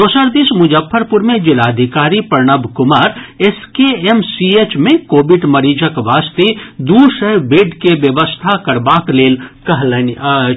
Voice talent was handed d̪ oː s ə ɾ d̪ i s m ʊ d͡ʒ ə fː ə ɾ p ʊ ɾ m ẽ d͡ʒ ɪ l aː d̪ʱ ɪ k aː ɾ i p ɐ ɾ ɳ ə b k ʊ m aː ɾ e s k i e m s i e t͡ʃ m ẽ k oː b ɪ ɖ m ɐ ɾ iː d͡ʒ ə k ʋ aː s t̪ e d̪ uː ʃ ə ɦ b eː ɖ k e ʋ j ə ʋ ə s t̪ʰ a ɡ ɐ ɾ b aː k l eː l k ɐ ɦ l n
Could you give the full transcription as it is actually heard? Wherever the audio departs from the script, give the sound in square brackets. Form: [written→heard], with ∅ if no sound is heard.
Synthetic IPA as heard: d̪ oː s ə ɾ d̪ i s m ʊ d͡ʒ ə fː ə ɾ p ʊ ɾ m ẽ d͡ʒ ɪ l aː d̪ʱ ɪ k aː ɾ i p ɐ ɾ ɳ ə b k ʊ m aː ɾ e s k [i→e] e m s i e t͡ʃ m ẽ k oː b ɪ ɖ m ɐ ɾ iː d͡ʒ ə k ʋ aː s t̪ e d̪ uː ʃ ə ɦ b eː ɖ k e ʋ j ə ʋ ə s t̪ʰ a [ɡ→k] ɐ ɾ b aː k l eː l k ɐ ɦ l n